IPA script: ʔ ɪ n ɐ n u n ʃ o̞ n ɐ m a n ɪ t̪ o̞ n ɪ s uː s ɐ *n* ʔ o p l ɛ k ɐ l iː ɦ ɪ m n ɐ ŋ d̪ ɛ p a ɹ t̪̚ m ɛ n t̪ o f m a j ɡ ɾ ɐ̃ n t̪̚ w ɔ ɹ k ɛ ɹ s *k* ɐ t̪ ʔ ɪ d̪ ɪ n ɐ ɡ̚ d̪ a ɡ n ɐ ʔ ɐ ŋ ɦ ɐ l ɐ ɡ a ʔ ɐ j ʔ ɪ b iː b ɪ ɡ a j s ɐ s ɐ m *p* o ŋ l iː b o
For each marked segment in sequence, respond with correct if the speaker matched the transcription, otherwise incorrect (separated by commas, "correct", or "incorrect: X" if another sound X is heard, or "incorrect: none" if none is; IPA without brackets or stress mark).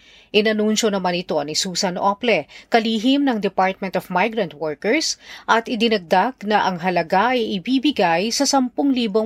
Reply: correct, incorrect: ʔ, correct